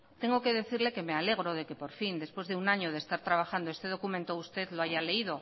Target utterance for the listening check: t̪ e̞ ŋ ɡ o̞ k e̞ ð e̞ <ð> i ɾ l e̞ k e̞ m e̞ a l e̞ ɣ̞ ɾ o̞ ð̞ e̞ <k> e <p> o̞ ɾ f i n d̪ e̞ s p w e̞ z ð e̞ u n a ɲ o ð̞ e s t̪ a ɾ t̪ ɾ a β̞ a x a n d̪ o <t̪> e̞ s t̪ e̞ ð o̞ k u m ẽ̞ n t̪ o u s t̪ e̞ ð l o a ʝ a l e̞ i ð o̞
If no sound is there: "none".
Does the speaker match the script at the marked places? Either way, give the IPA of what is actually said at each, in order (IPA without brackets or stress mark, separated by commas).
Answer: θ, k, p, none